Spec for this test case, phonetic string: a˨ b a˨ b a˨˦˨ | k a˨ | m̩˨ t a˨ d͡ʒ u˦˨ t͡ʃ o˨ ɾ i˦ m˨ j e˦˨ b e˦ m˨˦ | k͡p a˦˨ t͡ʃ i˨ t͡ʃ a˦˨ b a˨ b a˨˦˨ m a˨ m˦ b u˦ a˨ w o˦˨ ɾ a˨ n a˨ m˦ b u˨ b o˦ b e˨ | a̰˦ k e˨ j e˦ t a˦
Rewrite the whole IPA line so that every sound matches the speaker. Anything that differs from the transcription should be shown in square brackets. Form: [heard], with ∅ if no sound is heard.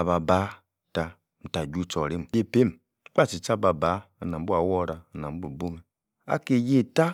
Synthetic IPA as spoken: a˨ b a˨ b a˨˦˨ | [t] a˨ | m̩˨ t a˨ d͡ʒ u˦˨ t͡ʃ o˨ ɾ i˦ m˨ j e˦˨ [p] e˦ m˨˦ | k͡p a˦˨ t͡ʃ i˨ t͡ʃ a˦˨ b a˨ b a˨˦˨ [n] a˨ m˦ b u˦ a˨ w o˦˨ ɾ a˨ n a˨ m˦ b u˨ b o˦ [m] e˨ | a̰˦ k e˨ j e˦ t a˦